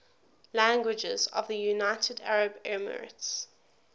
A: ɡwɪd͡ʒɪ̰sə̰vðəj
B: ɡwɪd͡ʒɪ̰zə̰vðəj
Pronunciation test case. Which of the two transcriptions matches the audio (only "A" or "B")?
B